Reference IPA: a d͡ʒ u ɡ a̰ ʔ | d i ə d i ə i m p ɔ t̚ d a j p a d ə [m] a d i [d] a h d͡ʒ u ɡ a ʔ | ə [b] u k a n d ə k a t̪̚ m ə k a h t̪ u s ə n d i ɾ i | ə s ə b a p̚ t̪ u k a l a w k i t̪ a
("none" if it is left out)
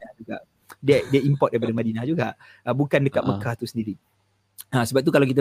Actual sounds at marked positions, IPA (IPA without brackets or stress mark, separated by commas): m, n, b